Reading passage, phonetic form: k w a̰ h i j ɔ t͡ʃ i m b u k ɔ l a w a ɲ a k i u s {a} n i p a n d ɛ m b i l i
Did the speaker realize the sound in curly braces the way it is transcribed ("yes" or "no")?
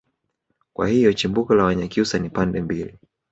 yes